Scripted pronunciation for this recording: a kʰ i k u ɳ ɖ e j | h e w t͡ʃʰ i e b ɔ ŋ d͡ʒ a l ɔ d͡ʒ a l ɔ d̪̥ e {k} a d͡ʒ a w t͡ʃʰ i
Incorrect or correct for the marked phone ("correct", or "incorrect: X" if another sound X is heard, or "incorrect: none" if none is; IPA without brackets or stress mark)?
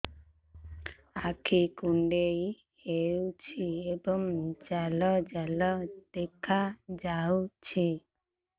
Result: incorrect: kʰ